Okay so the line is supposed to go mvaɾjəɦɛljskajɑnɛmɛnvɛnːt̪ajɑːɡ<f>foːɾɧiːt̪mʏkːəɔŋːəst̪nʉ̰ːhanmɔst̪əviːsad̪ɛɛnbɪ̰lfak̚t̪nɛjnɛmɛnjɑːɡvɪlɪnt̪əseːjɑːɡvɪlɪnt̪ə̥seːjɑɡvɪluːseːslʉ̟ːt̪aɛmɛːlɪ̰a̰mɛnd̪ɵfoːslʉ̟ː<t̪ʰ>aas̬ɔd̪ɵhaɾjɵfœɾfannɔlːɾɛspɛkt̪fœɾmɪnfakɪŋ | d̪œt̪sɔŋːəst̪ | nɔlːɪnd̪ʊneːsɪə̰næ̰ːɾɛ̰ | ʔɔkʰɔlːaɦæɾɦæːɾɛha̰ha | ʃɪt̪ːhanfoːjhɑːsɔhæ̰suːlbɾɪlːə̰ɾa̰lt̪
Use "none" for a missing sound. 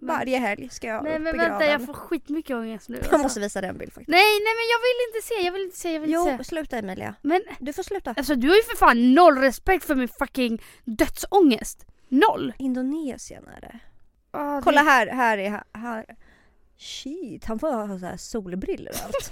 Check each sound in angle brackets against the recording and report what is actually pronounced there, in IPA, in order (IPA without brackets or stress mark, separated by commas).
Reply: f, t̪